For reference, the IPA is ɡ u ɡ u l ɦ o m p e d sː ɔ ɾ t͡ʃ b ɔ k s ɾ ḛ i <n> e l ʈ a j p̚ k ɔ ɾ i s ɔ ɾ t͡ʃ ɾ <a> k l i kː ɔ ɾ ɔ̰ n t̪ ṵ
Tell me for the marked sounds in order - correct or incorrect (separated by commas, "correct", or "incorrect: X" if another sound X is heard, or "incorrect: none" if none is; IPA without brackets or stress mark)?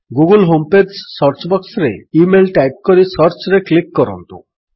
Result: incorrect: m, incorrect: e